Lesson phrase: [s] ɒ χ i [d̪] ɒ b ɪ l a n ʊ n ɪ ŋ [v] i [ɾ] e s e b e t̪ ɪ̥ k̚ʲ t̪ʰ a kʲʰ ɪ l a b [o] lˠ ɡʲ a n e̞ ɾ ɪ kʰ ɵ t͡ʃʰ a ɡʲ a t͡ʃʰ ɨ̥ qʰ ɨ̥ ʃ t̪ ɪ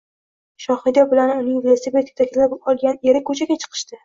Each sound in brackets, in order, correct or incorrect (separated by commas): incorrect, correct, correct, incorrect, incorrect